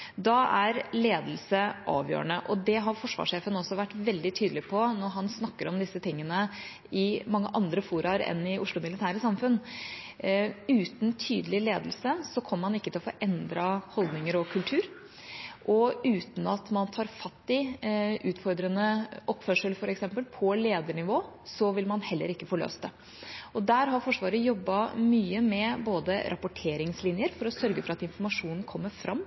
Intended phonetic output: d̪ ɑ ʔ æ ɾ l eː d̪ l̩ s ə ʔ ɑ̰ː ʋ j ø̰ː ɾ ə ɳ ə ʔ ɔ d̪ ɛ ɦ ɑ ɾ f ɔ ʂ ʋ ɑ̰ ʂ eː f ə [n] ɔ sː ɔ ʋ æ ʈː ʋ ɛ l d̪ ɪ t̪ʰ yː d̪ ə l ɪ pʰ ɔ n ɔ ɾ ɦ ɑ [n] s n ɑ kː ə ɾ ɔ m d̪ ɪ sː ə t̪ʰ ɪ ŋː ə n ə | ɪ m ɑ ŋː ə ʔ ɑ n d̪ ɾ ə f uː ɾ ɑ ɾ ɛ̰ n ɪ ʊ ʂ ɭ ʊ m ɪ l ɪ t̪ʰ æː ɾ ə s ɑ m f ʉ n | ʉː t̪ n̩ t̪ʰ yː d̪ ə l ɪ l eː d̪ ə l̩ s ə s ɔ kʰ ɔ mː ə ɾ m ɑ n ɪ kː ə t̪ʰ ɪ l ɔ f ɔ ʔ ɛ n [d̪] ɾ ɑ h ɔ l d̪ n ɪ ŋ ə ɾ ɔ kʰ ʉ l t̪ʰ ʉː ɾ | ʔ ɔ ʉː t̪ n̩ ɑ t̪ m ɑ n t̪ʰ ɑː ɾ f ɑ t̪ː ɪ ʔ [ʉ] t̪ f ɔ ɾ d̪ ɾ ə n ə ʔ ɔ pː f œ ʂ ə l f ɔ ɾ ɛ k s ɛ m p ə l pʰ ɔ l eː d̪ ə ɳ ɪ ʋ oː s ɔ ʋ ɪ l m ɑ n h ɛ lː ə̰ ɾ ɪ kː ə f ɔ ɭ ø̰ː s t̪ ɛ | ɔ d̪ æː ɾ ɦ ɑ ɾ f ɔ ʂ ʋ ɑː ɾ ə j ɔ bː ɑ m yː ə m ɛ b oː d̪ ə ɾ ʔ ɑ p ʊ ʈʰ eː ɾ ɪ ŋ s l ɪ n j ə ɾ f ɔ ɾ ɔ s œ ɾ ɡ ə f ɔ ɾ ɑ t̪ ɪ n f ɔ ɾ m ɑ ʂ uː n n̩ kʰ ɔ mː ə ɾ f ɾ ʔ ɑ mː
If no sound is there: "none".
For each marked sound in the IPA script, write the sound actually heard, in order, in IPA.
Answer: n, n, d̪, ʉː

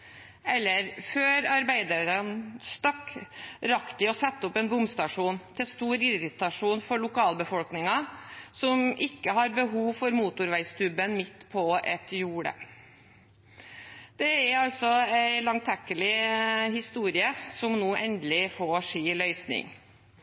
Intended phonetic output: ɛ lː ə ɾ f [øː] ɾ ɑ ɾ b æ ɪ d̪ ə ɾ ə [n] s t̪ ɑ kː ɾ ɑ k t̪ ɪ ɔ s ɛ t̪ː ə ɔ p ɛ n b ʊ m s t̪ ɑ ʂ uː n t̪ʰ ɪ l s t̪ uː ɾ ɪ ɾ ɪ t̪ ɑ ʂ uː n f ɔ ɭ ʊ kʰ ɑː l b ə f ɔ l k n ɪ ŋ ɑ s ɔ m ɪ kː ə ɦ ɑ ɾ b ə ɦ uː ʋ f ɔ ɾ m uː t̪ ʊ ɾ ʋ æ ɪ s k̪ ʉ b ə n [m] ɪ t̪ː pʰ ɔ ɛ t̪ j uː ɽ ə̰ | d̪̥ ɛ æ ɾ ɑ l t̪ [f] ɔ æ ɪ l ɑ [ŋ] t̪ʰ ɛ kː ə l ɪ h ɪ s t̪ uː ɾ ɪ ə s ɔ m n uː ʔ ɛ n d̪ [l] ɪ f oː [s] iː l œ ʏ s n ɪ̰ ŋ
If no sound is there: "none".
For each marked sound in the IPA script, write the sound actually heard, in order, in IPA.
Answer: øː, n, m, s, ŋ, l, ʂ

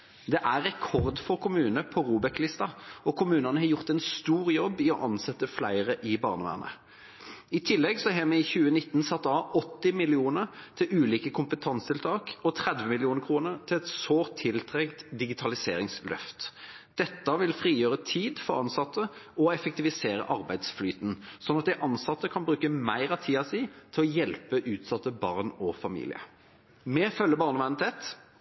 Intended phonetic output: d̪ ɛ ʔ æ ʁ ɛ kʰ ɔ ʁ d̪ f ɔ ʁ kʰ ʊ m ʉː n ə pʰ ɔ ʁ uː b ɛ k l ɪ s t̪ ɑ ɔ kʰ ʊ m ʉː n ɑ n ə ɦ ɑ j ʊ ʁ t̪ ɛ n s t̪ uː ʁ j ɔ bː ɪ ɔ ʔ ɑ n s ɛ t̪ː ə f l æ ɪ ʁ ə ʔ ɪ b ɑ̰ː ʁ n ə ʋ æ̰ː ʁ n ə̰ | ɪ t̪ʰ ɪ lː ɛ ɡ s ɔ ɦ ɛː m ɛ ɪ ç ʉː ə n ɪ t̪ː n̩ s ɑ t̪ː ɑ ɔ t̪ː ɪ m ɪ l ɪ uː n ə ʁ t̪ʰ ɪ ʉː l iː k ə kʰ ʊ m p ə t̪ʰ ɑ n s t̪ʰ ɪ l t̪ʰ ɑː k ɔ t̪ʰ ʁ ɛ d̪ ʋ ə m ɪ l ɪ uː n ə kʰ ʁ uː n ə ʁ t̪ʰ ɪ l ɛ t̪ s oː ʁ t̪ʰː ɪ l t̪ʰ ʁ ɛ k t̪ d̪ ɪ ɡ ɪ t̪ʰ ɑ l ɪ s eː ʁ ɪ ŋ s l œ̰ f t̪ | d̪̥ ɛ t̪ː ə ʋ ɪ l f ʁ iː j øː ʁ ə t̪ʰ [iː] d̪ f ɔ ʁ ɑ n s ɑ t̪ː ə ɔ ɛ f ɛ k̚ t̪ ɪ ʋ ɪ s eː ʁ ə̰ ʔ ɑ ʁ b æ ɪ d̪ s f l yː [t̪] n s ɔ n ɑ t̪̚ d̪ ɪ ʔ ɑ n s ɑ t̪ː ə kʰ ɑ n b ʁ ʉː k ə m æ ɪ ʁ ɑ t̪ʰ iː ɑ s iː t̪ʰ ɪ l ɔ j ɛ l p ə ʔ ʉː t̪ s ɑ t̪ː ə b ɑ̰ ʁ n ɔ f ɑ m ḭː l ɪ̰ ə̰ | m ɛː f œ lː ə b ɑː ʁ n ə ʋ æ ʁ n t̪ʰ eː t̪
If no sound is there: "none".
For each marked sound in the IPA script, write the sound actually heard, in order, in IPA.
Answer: iː, t̪

